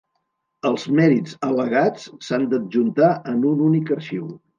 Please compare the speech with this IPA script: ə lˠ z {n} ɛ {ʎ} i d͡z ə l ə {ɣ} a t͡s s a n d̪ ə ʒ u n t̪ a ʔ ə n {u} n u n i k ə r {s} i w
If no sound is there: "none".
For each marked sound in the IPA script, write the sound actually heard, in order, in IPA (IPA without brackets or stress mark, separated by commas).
m, ɾ, ɣ, u, ʃ